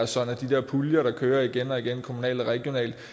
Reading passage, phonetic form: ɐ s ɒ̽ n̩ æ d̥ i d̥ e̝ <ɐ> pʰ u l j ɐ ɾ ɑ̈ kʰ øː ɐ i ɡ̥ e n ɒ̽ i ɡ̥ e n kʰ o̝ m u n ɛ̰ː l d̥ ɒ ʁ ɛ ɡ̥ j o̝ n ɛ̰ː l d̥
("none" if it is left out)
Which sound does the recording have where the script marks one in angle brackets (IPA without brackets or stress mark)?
ɐ